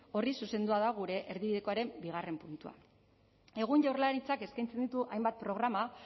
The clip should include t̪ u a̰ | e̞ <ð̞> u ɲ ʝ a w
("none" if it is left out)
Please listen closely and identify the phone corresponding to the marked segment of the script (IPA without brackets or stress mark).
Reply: ɣ̞